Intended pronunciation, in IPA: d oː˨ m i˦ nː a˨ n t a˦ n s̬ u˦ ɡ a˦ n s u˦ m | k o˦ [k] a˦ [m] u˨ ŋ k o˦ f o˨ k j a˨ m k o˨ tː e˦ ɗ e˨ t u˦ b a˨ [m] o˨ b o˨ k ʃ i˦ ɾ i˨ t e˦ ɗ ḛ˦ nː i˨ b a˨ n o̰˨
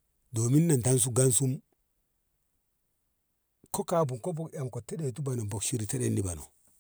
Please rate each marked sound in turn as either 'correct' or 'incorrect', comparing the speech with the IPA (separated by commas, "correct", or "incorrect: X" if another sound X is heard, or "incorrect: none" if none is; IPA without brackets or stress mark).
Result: correct, incorrect: b, incorrect: n